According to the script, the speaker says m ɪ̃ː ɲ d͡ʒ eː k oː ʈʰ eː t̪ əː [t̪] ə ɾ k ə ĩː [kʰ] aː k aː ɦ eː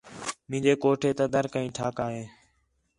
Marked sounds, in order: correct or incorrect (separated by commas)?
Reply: incorrect, incorrect